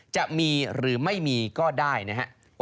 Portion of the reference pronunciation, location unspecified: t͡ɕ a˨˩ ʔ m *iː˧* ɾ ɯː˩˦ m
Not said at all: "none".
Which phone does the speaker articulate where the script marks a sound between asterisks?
iː˧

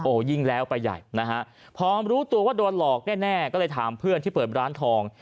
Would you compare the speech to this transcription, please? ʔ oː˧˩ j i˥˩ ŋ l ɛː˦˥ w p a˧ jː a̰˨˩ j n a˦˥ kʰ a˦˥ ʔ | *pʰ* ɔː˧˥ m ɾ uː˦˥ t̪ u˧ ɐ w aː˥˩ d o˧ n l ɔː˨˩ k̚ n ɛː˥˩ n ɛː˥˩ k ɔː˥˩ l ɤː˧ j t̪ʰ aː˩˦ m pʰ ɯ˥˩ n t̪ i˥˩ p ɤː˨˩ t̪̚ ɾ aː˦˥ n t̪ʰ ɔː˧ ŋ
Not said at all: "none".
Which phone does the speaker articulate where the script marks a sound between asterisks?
pʰ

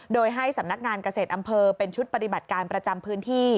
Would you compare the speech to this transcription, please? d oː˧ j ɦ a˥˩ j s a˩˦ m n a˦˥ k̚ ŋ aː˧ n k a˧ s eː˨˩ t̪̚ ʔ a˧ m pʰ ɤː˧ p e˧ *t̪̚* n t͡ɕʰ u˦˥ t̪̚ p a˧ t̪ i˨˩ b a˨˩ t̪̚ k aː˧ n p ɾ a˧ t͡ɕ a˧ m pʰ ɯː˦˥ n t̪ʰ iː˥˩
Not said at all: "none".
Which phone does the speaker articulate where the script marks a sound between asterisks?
none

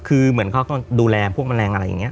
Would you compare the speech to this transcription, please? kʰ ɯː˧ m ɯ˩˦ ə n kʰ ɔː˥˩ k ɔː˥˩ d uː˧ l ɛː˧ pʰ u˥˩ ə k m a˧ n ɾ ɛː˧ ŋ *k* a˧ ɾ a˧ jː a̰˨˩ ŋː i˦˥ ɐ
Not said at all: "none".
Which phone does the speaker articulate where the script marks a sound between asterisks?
ʔ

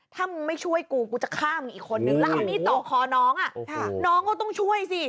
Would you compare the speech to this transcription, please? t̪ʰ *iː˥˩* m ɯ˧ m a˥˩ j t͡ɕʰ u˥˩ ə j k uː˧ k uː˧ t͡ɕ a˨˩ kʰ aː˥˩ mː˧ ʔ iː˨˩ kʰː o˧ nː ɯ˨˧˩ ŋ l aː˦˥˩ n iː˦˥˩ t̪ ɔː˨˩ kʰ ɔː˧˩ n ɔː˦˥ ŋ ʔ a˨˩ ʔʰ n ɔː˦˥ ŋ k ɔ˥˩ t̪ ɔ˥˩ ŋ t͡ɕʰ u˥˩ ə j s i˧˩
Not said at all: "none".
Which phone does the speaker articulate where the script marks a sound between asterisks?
aː˥˩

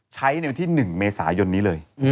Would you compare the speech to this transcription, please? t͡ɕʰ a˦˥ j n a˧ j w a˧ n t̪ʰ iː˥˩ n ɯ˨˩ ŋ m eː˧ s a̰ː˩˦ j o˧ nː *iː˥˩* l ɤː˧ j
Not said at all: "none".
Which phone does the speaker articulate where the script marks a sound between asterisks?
iː˦˥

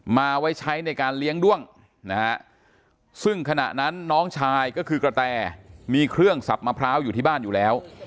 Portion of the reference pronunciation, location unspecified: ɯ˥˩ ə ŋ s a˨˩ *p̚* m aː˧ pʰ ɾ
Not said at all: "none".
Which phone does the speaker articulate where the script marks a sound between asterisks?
p̚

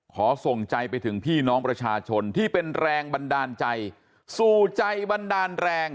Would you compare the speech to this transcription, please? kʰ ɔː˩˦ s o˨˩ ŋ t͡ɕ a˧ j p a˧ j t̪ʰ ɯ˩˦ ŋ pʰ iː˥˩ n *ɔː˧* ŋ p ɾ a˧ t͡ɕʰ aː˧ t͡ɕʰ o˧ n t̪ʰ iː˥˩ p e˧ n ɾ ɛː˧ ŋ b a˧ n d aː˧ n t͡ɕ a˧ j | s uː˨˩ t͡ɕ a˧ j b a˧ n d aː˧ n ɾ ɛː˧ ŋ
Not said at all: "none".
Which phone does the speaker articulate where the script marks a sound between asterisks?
ɔː˦˥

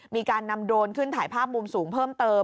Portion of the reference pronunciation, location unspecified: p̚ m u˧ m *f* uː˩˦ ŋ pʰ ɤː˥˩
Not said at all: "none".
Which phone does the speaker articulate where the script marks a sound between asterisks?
s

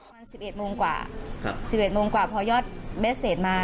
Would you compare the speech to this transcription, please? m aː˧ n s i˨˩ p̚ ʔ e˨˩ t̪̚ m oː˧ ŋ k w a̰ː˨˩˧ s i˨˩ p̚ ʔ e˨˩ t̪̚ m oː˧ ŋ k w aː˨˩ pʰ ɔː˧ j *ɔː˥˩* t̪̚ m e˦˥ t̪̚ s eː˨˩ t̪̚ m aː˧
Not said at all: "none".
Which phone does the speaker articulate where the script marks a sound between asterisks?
ɔː˥˩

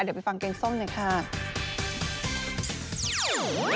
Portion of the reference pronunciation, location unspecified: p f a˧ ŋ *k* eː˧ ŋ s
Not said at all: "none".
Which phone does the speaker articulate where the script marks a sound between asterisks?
k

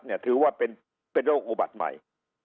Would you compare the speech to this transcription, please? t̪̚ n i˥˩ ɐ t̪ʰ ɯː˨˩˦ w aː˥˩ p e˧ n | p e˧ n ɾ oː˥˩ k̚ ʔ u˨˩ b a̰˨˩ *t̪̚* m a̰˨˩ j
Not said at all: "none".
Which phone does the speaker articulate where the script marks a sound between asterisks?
t̪̚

